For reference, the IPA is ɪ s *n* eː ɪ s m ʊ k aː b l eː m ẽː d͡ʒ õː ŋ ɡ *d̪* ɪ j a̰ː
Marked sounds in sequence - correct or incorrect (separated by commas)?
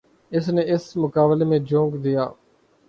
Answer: correct, correct